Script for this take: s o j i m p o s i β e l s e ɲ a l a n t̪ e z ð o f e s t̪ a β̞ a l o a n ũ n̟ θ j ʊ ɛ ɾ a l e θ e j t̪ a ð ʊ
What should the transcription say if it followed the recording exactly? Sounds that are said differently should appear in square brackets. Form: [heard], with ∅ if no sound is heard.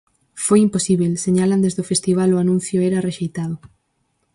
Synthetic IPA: [f] o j i m p o s i β e l s e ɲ a l a n [d̪] e z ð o f e s t̪ [i] β̞ a l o a n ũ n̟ θ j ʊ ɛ ɾ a [r] e [ʃ] e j t̪ a ð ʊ